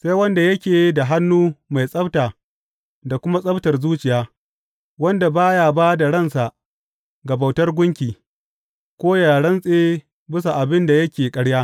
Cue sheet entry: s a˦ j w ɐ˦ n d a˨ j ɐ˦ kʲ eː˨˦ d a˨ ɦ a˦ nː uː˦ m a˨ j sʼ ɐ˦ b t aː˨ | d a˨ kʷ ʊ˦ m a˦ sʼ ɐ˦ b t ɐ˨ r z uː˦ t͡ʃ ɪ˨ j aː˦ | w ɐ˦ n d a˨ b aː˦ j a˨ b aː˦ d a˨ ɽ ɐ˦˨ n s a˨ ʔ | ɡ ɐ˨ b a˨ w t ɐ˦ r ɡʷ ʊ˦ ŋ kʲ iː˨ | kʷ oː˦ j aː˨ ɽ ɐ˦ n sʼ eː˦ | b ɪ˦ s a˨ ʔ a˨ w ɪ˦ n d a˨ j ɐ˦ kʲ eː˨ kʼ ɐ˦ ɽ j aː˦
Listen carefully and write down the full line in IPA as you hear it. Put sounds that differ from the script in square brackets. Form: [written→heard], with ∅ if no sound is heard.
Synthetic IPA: s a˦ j w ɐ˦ n d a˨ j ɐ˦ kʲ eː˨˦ d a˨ ɦ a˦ nː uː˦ m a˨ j sʼ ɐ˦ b t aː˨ | d a˨ kʷ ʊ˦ m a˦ sʼ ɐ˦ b t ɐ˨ r z uː˦ t͡ʃ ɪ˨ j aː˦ | w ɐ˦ n d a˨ b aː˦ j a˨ b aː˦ d a˨ ɽ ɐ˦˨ n s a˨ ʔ | ɡ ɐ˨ b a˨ w t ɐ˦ r ɡʷ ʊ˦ ŋ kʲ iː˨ | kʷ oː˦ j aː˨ ɽ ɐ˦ n sʼ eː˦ | b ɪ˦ s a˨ ʔ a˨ [w→b] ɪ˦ n d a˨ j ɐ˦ kʲ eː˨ kʼ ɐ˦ ɽ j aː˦